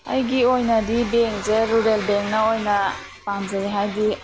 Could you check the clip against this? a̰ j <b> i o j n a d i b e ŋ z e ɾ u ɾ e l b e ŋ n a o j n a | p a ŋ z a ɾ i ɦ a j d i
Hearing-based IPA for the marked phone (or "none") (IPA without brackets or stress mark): ɡ